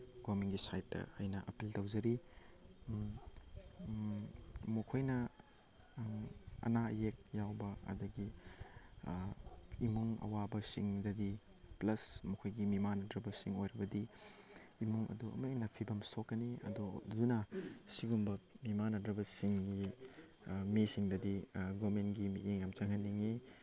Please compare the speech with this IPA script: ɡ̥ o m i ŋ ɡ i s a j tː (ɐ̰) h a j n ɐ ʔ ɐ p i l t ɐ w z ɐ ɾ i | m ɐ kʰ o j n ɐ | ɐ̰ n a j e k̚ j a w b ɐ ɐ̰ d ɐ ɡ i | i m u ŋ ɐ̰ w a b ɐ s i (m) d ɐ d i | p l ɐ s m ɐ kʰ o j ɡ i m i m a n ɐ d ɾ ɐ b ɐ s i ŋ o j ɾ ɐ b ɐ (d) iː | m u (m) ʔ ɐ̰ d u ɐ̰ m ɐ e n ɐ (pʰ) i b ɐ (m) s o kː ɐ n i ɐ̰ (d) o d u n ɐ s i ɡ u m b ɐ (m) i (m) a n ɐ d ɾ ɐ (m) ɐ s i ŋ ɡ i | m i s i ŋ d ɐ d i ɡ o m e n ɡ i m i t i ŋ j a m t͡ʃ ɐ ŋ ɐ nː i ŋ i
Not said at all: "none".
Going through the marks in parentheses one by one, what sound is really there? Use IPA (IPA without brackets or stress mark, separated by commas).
ɐ̰, ŋ, d, ŋ, pʰ, m, d, m, m, b